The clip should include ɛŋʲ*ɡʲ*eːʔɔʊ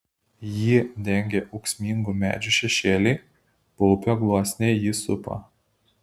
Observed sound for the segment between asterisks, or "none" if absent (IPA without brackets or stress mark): ɡʲ